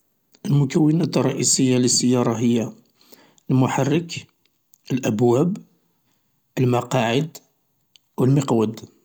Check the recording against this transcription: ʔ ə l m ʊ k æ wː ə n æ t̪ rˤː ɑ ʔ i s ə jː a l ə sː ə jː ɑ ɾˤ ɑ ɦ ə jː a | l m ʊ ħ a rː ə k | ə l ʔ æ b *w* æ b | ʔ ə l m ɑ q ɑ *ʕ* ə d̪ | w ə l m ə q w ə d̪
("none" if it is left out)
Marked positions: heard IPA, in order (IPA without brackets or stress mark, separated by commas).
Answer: w, ʕ